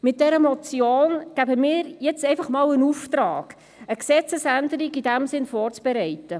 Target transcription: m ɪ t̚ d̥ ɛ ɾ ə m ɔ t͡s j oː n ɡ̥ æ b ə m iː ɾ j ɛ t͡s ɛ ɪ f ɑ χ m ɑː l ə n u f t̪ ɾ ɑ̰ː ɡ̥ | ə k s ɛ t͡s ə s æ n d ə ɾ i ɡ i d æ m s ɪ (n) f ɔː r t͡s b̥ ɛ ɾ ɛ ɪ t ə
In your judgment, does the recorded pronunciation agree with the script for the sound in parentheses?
yes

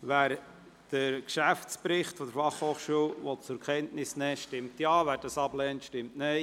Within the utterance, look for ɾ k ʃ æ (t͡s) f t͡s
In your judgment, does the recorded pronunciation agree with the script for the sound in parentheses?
no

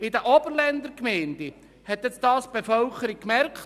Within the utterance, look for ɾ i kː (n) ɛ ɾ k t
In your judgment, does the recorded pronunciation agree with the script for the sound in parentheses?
no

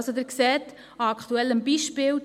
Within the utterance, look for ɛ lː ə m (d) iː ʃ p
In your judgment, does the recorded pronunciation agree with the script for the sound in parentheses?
no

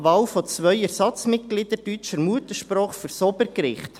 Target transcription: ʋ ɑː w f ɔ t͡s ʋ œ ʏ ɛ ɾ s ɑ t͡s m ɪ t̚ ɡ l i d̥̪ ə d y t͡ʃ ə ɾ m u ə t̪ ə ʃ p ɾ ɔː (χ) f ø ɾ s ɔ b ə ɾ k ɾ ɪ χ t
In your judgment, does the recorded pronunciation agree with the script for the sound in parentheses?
yes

